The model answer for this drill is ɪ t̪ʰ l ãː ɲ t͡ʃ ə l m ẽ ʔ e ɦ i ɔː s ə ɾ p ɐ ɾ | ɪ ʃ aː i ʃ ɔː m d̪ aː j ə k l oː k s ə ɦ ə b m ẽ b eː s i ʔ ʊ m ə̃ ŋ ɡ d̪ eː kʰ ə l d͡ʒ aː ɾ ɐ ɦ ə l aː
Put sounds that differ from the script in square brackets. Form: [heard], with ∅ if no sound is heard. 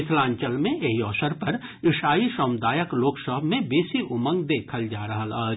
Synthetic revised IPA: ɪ t̪ʰ l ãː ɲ t͡ʃ ə l m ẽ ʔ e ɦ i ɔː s ə ɾ p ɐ ɾ | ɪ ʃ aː i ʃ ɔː m d̪ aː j ə k l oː k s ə ɦ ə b m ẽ b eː s i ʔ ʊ m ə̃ ŋ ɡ d̪ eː kʰ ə l d͡ʒ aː ɾ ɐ ɦ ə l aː

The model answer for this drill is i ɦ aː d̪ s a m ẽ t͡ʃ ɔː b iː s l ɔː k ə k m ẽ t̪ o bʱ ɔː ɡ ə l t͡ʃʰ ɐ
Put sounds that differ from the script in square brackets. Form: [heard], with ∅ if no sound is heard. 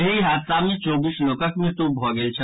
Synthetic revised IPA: i ɦ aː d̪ s a m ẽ t͡ʃ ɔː b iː s l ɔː k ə k m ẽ t̪ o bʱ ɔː ɡ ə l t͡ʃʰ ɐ

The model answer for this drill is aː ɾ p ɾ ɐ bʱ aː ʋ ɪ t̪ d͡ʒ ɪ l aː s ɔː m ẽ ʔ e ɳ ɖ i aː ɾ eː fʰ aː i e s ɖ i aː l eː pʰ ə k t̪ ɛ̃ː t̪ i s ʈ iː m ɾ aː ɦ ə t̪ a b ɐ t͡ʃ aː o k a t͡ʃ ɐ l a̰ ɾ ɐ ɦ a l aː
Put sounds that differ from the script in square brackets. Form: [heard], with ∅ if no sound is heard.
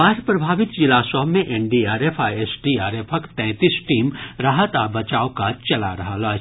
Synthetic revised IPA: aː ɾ p ɾ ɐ bʱ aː ʋ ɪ t̪ d͡ʒ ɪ l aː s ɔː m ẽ ʔ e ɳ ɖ i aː ɾ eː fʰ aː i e s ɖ i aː [ɾ] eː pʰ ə k t̪ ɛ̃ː t̪ i s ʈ iː m ɾ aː ɦ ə t̪ a b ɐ t͡ʃ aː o k a t͡ʃ ɐ l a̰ ɾ ɐ ɦ a l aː

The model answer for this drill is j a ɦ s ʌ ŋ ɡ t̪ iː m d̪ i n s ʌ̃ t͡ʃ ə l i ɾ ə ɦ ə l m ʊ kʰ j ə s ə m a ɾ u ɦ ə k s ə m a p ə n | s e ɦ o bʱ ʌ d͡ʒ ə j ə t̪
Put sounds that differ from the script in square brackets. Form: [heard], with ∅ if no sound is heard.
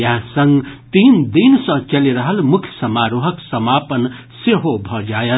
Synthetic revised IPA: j a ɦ s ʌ ŋ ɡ t̪ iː [n] d̪ i n s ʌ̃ t͡ʃ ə l i ɾ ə ɦ ə l m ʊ kʰ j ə s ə m a ɾ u ɦ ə k s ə m a p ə n | s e ɦ o bʱ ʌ d͡ʒ [a] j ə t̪

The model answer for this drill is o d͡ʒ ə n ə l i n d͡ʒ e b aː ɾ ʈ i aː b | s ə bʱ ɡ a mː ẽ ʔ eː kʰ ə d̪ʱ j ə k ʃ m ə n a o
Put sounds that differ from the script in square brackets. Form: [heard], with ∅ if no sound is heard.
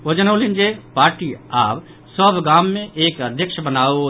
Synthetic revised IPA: o d͡ʒ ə n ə l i n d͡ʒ e [p] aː ɾ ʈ i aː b | s ə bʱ ɡ a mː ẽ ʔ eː [k] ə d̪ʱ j ə k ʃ [b] ə n a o

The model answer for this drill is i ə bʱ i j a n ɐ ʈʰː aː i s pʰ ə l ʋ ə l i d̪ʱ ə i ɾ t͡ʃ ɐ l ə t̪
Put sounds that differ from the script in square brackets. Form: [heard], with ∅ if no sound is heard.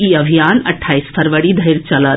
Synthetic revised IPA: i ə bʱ i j a n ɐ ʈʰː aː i s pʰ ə [ɾ] ʋ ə [ɽ] i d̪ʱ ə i ɾ t͡ʃ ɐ l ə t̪

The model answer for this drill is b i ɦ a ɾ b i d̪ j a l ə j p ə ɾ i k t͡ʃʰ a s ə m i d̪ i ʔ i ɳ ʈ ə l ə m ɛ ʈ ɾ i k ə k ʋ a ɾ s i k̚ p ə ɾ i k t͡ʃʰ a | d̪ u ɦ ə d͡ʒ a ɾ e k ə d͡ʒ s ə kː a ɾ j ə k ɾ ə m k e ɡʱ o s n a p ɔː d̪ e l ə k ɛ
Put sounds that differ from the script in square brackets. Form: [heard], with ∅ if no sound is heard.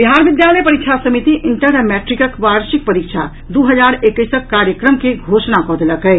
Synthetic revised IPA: b i ɦ a ɾ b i d̪ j a l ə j p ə ɾ i k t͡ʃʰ a s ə m i [t̪] i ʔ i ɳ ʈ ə [ɾ] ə m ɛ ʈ ɾ i k ə k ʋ a ɾ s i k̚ p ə ɾ i k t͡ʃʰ a | d̪ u ɦ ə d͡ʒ a ɾ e k ə [∅] s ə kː a ɾ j ə k ɾ ə m k e ɡʱ o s n a [k] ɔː d̪ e l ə k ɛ

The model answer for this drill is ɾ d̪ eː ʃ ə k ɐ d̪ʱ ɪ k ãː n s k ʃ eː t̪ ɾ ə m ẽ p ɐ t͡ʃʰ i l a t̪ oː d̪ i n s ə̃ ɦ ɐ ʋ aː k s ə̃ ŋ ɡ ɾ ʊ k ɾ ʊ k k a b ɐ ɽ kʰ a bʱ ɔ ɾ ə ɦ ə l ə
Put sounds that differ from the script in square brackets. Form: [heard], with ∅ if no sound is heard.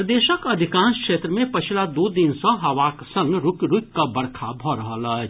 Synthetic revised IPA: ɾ d̪ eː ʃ ə k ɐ d̪ʱ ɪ k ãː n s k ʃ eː t̪ ɾ ə m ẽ p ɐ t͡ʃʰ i l a [d̪] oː d̪ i n s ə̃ ɦ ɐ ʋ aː k s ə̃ ŋ ɡ ɾ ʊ k ɾ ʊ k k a b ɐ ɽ kʰ a bʱ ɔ ɾ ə ɦ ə l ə

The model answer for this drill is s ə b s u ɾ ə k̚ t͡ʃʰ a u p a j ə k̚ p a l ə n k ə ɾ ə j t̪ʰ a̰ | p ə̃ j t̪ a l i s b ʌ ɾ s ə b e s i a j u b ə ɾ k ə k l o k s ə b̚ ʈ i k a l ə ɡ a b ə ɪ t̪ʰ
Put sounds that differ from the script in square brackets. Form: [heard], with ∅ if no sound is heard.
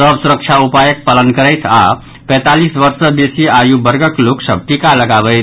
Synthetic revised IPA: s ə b s u ɾ ə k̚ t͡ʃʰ a u p a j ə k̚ p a l ə n k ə ɾ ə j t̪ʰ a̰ | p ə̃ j t̪ a l i s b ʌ ɾ s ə b e s i a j u b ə ɾ [ɡ] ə k l o k s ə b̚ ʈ i k a l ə ɡ a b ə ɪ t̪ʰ

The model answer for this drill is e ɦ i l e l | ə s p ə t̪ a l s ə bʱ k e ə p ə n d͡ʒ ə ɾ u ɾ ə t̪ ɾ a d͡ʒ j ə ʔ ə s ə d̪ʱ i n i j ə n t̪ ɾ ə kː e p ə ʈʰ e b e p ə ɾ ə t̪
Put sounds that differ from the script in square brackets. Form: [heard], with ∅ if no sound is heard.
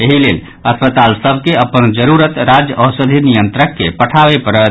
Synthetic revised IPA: e ɦ i l e l | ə s p ə t̪ a l s ə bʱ k e ə p ə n d͡ʒ ə ɾ u ɾ ə t̪ ɾ a d͡ʒ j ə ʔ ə s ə d̪ʱ i n i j ə n t̪ ɾ ə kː e p ə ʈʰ [a] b e p ə ɾ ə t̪

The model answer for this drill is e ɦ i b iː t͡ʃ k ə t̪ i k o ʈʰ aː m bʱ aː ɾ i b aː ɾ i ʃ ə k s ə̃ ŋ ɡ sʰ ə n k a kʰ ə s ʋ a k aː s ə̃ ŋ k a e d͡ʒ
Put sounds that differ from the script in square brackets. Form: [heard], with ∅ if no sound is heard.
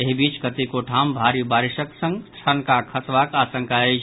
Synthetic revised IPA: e ɦ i b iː t͡ʃ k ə t̪ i k o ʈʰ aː m bʱ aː ɾ i b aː ɾ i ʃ ə k s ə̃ ŋ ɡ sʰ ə n k a kʰ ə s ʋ a k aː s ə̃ ŋ k a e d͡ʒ

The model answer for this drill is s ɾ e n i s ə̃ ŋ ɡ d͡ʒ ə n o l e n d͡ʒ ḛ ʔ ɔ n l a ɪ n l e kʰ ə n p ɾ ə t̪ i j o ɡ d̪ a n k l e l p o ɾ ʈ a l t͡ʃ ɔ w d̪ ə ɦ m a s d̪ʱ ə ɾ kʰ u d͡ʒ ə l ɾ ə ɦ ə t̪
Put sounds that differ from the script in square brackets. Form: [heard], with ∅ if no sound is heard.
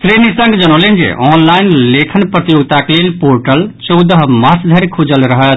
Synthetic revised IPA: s ɾ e n i s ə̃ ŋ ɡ d͡ʒ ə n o l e n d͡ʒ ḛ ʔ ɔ n l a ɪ n l e kʰ ə n p ɾ ə t̪ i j o ɡ [t̪] a [∅] k l e l p o ɾ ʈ [ə] l t͡ʃ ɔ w d̪ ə ɦ m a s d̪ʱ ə ɾ kʰ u d͡ʒ ə l ɾ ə ɦ ə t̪

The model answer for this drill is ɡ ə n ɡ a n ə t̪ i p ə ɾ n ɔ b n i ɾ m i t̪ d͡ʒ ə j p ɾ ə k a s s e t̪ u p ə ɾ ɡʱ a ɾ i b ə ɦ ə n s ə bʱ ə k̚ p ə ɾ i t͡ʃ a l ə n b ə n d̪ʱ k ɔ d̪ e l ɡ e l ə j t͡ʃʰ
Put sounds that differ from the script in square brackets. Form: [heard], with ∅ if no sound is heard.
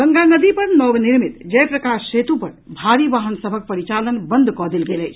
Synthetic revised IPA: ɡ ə [ŋ] ɡ a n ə [d̪] i p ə ɾ n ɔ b n i ɾ m i t̪ d͡ʒ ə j p ɾ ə k a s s e t̪ u p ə ɾ [bʱ] a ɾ i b [a] ɦ ə n s ə bʱ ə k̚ p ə ɾ i t͡ʃ a l ə n b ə n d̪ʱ k ɔ d̪ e l ɡ e l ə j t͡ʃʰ

